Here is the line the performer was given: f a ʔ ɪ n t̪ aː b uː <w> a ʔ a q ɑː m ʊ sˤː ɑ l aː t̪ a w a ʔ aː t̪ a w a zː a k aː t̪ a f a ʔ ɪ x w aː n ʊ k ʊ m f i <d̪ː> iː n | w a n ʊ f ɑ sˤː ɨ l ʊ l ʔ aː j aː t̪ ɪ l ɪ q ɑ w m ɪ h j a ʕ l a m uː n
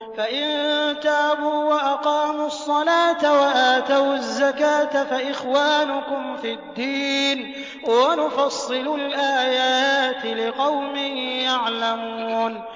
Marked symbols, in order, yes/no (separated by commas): yes, yes